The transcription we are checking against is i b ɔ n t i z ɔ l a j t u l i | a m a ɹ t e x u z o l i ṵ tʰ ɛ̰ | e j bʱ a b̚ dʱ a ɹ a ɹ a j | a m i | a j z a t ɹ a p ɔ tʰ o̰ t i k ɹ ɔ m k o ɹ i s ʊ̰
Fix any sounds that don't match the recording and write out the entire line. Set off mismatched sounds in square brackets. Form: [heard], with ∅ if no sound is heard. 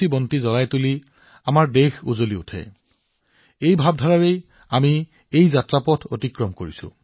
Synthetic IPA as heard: i b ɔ n t i z ɔ l a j t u l i | a m a ɹ [d] e x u z o l i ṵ tʰ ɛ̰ | e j bʱ a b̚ dʱ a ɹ a ɹ [e] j | a m i | [e] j z a t ɹ a p ɔ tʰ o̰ t i k ɹ ɔ m k o ɹ i s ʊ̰